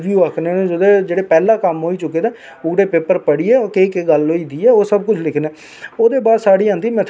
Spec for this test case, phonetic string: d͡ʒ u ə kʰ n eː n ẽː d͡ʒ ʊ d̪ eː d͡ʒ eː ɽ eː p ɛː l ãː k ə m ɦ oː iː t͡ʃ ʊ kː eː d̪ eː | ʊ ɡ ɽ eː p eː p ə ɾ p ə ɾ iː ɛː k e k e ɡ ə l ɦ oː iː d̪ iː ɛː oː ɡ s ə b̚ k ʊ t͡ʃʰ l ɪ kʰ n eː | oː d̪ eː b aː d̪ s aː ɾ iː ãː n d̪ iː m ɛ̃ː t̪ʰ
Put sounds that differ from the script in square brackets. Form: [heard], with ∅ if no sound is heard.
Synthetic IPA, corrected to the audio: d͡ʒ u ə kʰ n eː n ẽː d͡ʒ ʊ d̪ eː d͡ʒ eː ɽ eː p ɛː l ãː k ə m ɦ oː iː t͡ʃ ʊ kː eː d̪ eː | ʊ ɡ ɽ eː p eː p ə ɾ p ə [ɽ] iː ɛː k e k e ɡ ə l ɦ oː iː d̪ iː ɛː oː [∅] s ə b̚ k ʊ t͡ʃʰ l ɪ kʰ n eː | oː d̪ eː b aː d̪ s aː [ɽ] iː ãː n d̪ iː m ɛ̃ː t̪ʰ